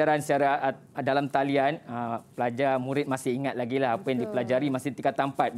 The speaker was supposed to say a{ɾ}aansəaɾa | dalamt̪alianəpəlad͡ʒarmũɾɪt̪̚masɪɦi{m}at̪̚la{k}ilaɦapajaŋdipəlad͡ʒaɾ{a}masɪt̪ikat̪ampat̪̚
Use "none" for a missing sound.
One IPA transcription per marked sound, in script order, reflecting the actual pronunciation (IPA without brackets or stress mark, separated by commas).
ɾ, ŋ, ɡ, i